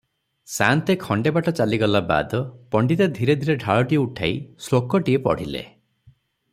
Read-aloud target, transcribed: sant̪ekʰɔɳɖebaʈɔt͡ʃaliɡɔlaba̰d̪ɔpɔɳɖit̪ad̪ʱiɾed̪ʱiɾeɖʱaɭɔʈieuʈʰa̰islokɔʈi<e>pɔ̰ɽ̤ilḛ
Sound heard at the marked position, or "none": e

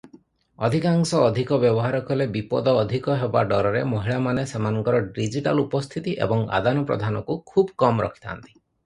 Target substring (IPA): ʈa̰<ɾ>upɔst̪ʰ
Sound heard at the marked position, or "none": l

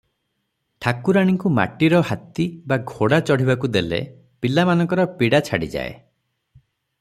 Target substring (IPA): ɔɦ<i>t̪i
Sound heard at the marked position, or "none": a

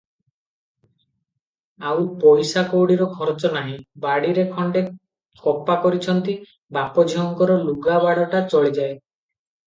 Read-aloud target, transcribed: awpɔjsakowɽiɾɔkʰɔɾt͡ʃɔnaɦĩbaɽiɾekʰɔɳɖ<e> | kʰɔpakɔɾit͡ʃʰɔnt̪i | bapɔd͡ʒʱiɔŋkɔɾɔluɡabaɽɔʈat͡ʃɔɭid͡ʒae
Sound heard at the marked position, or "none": e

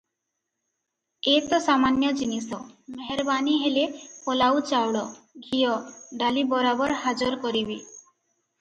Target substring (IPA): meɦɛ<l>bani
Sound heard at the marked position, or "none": ɾ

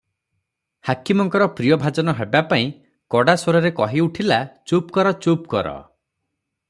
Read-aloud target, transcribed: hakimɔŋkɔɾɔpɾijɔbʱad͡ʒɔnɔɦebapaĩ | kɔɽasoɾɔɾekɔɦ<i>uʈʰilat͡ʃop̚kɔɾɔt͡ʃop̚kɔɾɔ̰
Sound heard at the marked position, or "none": i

